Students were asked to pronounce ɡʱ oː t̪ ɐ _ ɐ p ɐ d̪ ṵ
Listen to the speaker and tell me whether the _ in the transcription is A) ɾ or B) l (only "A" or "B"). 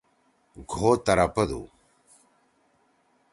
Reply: A